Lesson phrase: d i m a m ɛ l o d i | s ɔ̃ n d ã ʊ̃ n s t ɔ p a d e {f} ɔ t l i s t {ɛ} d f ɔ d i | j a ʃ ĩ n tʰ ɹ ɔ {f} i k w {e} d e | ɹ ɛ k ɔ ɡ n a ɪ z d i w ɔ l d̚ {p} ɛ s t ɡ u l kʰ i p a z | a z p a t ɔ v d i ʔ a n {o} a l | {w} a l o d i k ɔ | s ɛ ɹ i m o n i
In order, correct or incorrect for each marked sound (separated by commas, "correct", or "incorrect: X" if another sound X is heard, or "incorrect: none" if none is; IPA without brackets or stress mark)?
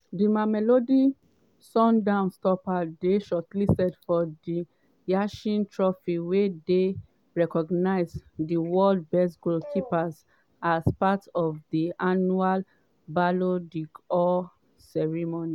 incorrect: ʃ, correct, correct, correct, incorrect: b, incorrect: u, incorrect: b